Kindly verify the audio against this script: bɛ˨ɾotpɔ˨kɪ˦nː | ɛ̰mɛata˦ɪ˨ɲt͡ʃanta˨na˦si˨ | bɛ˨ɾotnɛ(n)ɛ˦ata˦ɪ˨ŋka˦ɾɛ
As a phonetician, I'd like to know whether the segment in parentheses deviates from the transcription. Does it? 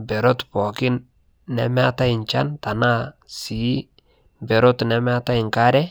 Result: yes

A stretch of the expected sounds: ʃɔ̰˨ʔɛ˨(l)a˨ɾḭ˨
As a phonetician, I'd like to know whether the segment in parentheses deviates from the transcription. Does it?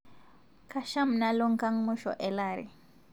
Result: no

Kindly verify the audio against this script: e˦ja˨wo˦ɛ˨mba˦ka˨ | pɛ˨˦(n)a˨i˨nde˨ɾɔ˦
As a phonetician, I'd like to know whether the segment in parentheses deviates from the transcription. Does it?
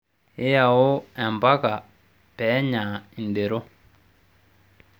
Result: yes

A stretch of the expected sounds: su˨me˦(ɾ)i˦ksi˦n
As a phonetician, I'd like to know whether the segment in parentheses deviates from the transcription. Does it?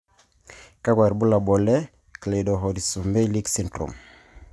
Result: yes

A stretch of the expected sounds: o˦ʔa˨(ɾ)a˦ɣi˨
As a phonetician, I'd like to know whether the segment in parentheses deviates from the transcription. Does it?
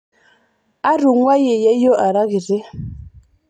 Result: no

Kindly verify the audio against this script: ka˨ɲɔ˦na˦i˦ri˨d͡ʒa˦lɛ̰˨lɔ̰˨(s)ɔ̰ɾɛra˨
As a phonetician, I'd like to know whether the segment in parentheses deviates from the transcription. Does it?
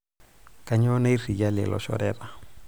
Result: yes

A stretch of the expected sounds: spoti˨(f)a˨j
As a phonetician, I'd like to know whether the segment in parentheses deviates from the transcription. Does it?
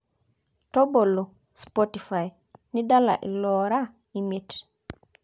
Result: no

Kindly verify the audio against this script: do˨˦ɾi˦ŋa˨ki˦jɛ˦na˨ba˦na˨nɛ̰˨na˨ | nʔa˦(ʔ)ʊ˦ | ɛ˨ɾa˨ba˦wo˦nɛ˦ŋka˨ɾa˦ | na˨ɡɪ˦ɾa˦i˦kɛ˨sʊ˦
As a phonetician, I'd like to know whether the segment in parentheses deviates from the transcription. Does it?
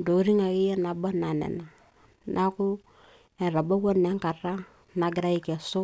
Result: yes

